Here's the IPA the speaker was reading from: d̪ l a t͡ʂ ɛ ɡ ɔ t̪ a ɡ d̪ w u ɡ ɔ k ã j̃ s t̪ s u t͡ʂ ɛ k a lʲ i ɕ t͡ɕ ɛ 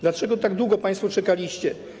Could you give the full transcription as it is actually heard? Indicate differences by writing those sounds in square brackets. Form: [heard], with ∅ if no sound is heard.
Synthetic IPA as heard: d̪ l a t͡ʂ ɛ ɡ ɔ t̪ a ɡ d̪ w u ɡ ɔ [p] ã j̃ s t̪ [f] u t͡ʂ ɛ k a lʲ i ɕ t͡ɕ ɛ